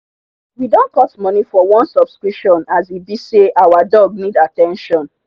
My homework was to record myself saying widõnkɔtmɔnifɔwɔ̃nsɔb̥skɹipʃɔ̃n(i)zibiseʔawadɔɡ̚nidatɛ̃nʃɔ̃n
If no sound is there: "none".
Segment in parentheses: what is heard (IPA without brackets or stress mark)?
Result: a